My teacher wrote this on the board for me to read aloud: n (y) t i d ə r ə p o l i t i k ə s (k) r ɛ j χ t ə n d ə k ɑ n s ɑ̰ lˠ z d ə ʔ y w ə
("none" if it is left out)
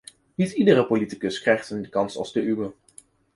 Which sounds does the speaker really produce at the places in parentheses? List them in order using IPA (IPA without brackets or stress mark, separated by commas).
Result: i, k